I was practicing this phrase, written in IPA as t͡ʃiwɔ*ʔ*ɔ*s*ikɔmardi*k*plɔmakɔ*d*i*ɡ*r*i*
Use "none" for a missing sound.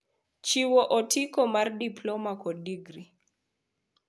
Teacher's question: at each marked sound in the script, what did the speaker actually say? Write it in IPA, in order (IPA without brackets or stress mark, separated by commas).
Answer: ʔ, t, none, d, ɡ, i